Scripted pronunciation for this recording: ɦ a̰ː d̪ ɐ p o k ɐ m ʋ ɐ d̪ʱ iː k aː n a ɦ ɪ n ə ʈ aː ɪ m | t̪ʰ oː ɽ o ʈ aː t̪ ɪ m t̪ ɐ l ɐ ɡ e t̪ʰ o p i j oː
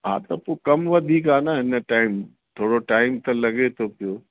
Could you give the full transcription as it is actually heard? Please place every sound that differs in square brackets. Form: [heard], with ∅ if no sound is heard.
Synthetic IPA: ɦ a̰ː [t̪] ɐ p o k ɐ m ʋ ɐ d̪ʱ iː k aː n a ɦ ɪ n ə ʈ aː ɪ m | t̪ʰ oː ɽ o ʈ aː [∅] ɪ m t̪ ɐ l ɐ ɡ e t̪ʰ o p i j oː